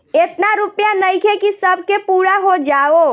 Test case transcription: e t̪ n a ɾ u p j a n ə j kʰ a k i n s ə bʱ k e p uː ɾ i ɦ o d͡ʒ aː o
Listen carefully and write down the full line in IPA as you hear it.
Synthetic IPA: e t̪ n a ɾ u p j a n ə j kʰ e k i s ə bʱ k e p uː ɾ a ɦ o d͡ʒ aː o